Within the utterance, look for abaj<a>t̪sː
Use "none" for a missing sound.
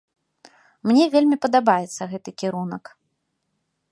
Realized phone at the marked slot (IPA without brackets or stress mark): ɛ